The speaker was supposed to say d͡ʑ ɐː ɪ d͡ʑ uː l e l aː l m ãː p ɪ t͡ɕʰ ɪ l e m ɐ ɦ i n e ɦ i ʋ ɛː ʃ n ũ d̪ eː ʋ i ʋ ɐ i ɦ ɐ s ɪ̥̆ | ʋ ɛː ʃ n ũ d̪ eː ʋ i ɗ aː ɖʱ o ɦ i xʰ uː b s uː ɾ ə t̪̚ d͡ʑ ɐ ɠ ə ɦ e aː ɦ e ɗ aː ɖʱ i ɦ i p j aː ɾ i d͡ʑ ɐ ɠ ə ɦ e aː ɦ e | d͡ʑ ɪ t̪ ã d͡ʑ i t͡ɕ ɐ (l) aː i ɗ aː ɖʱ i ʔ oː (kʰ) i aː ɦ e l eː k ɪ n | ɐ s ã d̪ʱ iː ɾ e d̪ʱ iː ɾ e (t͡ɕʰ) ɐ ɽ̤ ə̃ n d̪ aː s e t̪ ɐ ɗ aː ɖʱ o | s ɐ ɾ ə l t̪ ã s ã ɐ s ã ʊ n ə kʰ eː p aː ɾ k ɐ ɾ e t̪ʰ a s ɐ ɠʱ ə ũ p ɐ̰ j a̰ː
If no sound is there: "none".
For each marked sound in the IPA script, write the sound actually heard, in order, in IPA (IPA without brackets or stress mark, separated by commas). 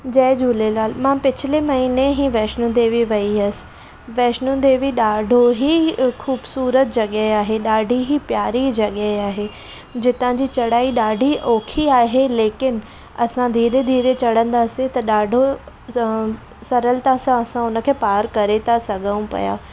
ɽ, kʰ, t͡ɕ